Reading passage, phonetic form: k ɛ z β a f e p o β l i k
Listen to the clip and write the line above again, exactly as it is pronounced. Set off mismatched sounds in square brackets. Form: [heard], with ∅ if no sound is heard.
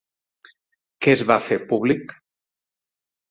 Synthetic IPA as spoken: k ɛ z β a f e p [u] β l i k